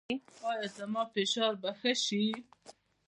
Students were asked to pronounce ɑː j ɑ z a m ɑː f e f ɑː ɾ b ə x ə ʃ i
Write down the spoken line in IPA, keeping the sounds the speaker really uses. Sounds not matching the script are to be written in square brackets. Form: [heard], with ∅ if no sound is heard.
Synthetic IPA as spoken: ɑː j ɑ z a m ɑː f e [ʃ] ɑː ɾ b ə x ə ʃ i